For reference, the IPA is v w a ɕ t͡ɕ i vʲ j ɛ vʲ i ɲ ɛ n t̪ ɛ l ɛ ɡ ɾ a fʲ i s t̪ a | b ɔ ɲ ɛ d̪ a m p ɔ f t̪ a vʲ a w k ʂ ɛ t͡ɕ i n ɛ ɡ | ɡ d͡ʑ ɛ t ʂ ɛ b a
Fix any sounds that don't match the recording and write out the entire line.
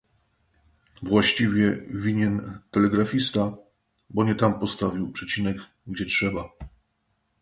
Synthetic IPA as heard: v w a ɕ t͡ɕ i vʲ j ɛ vʲ i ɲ ɛ n t̪ ɛ l ɛ ɡ ɾ a fʲ i s t̪ a | b ɔ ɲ ɛ t̪ a m p ɔ s t̪ a vʲ i w p ʂ ɛ t͡ɕ i n ɛ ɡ | ɡ d͡ʑ ɛ t ʂ ɛ b a